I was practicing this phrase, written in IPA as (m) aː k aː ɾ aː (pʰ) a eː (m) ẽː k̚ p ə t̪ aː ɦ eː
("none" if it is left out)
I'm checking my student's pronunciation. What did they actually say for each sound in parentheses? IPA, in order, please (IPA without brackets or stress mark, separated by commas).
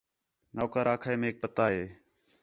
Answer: n, kʰ, m